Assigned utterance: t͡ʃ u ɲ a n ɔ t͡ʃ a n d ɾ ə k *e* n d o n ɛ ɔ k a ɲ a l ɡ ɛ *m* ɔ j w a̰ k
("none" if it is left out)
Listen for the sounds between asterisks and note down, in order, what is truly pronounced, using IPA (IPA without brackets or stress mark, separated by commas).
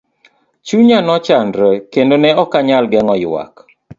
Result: e, ŋ